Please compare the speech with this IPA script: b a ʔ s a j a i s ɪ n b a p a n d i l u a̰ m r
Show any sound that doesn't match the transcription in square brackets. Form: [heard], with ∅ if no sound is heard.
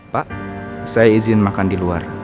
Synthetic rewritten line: [p] a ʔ s a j a i [z] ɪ n [m] a [k] a n d i l u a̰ [∅] r